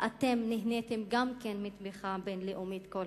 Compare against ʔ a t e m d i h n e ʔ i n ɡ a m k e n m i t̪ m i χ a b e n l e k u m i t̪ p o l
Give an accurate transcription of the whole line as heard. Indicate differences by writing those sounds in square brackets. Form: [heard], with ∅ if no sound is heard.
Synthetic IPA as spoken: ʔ a t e m [n] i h n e [t] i [m] ɡ a m k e n m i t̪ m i χ a b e n l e [ʔ] u m i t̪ [k] o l